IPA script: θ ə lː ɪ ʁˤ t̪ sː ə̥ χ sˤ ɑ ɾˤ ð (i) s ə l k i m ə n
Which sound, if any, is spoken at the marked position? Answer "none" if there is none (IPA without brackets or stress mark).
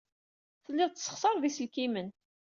i